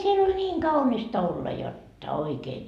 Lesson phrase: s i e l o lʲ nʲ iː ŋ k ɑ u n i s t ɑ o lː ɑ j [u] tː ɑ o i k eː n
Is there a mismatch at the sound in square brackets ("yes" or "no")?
yes